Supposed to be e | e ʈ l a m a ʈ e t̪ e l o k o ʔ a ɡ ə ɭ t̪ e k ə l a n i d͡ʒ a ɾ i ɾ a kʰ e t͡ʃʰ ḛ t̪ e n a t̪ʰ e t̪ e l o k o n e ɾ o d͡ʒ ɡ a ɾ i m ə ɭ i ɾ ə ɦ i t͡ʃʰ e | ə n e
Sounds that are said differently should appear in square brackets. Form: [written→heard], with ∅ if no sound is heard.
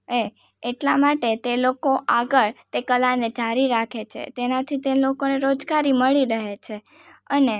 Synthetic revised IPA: e | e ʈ l a m a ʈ e t̪ e l o k o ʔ a ɡ ə ɭ t̪ e k ə l a n [i→e] d͡ʒ a ɾ i ɾ a kʰ e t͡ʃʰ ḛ t̪ e n a t̪ʰ [e→i] t̪ e l o k o n e ɾ o d͡ʒ ɡ a ɾ i m ə ɭ i ɾ ə ɦ [i→e] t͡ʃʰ e | ə n e